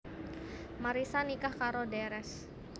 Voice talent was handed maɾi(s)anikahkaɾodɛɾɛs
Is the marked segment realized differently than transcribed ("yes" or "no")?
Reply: no